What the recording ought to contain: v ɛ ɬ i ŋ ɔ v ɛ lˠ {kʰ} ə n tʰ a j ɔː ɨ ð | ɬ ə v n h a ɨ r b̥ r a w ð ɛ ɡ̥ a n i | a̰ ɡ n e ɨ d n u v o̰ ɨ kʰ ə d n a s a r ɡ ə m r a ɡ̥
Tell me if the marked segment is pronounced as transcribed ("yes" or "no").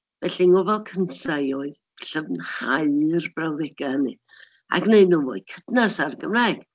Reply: yes